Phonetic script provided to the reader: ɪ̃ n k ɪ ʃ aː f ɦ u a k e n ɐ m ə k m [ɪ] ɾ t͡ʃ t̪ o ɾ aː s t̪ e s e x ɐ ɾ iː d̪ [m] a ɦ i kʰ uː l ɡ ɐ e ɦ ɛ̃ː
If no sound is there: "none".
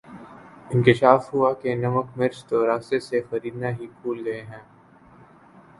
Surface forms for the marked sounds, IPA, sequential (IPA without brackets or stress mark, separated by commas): ɪ, n